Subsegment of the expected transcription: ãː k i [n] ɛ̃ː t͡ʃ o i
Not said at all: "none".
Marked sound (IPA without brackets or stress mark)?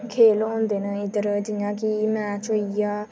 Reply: m